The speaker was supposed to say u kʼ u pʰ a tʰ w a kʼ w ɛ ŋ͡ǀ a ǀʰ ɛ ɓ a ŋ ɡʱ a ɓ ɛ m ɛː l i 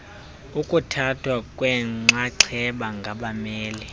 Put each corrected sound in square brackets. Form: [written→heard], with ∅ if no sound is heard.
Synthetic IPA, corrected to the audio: u kʼ u [pʰ→tʰ] a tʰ w a kʼ w ɛ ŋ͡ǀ a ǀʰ ɛ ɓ a ŋ ɡʱ a ɓ [ɛ→a] m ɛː l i